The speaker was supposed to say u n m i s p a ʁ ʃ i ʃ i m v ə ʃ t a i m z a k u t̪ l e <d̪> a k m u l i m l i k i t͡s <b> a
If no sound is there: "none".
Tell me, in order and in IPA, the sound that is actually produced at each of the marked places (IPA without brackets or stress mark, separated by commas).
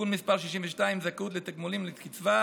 t̪, v